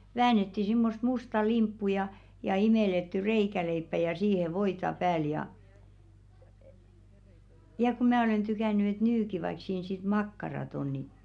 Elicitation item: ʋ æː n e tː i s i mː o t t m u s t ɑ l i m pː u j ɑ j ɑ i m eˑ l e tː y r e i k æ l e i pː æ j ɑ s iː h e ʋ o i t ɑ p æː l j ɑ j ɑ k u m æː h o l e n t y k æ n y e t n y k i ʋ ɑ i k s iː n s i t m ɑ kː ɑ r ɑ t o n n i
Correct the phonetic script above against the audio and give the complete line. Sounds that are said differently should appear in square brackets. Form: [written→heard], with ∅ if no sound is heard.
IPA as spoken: ʋ æː n e tː i s i mː o [t→s] t m u s t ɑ l i m pː u j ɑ j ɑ i m eˑ l e tː y r e i k æ l e i pː æ j ɑ s iː h e ʋ o i t ɑ p æː l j ɑ j ɑ k u m æː [h→∅] o l e n t y k æ n y e t n y k i ʋ ɑ i k s iː n s i t m ɑ kː ɑ r ɑ t o n n i